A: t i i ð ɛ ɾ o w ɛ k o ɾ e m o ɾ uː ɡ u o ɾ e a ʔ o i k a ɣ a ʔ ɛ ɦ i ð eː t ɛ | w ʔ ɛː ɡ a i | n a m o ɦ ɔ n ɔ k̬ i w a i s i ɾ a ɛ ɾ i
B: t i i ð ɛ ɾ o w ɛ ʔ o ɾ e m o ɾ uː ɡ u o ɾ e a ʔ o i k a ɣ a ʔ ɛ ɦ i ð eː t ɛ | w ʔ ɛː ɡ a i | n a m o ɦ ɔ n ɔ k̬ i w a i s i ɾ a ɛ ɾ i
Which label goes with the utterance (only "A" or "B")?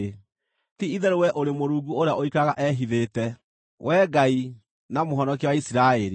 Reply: B